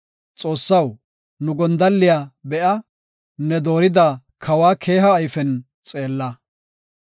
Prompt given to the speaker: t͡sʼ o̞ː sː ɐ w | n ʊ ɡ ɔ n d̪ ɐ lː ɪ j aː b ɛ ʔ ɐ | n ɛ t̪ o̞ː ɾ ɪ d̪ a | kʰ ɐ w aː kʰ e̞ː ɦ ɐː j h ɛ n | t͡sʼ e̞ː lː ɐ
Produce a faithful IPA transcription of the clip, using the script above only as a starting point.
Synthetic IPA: t͡sʼ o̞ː sː ɐ w | n ʊ ɡ ɔ n d̪ ɐ lː ɪ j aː b ɛ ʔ ɐ | n ɛ d̪ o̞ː ɾ ɪ d̪ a | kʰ ɐ w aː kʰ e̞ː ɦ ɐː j f ɛ n | t͡sʼ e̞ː lː ɐ